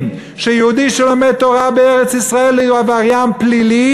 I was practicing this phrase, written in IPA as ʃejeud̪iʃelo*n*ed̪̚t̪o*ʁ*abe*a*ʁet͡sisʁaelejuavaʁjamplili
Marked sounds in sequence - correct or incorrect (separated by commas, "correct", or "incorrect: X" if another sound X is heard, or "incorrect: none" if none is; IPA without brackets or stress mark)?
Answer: incorrect: m, correct, incorrect: e